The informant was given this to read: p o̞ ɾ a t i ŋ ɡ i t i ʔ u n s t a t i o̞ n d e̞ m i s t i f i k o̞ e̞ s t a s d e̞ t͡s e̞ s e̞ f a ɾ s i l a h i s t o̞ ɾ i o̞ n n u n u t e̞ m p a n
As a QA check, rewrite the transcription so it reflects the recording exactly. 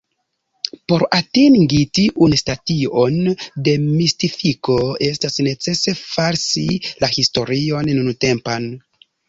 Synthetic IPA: p o̞ ɾ a t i ŋ ɡ i t i ʔ u n s t a t i o̞ n d e̞ m i s t i f i k o̞ e̞ s t a s n e̞ t͡s e̞ s e̞ f a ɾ s i l a h i s t o̞ ɾ i o̞ n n u n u t e̞ m p a n